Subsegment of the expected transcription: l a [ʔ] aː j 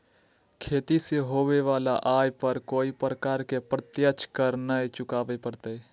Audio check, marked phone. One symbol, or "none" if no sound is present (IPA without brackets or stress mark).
ʔ